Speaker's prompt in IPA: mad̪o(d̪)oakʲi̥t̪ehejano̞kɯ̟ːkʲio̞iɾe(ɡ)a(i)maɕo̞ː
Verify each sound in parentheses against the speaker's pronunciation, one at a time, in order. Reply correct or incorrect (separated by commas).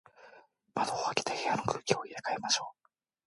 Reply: incorrect, incorrect, incorrect